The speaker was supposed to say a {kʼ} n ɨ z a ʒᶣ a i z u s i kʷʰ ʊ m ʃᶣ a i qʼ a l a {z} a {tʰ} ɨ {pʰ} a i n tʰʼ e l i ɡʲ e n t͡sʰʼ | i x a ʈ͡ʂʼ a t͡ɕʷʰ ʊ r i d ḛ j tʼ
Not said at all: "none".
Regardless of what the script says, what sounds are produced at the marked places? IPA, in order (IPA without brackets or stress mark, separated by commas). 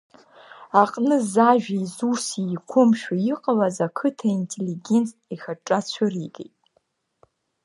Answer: qʼ, z, kʰ, tʰ